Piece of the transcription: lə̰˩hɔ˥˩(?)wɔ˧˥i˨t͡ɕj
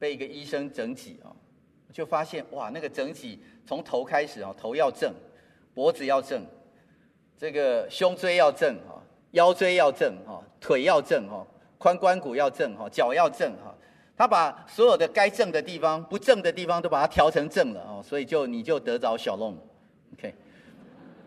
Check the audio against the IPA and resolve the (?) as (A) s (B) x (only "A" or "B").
A